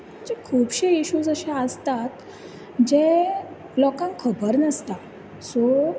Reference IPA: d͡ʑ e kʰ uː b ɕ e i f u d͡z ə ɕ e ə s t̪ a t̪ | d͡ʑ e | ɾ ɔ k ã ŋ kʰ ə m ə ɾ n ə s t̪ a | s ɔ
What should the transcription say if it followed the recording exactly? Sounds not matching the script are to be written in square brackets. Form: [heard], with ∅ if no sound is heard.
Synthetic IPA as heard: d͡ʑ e kʰ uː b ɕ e i [ɕ] u d͡z ə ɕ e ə s t̪ a t̪ | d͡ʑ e | [l] ɔ k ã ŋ kʰ ə [b] ə ɾ n ə s t̪ a | s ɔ